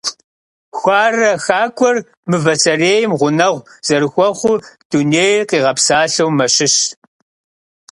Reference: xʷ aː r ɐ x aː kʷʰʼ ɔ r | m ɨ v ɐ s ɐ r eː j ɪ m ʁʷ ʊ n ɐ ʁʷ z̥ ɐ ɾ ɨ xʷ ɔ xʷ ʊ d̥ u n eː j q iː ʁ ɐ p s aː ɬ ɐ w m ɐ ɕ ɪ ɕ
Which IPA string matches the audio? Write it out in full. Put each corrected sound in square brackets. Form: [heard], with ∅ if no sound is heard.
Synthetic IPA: xʷ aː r ɐ x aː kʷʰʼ ɔ r | m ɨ v ɐ s ɐ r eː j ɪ m ʁʷ ʊ n ɐ ʁʷ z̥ ɐ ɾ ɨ xʷ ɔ [χʷ] ʊ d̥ u n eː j q iː ʁ ɐ p s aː ɬ ɐ w m ɐ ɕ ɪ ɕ